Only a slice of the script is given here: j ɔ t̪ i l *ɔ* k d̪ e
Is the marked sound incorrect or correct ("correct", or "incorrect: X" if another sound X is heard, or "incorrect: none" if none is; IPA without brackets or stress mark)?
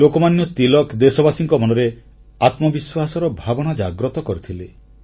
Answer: correct